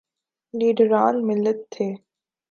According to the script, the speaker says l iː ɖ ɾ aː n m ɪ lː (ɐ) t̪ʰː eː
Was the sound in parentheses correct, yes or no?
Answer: no